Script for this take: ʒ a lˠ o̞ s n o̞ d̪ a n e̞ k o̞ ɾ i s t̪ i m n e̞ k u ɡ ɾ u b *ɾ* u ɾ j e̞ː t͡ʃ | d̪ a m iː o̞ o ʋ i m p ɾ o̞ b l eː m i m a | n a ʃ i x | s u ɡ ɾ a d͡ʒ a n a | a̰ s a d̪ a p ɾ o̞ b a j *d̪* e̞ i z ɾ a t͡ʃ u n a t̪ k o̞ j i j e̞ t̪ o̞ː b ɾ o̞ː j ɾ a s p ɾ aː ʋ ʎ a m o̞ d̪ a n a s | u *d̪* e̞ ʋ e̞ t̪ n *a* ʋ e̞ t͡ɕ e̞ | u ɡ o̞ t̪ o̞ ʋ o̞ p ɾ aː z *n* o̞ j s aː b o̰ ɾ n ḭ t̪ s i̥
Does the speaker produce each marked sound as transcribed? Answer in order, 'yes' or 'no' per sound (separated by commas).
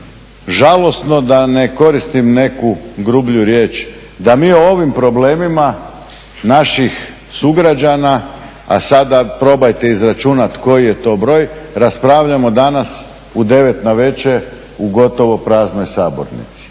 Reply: no, no, yes, yes, yes